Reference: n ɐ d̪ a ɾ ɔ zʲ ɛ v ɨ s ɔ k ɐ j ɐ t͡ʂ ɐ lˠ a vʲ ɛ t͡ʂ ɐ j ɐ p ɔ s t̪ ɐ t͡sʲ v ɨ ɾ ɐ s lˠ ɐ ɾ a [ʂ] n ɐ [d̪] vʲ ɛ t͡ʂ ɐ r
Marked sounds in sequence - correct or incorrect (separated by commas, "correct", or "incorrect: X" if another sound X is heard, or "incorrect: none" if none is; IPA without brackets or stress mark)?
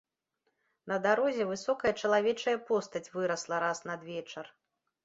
incorrect: s, correct